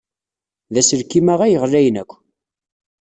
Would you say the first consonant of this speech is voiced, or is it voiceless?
voiced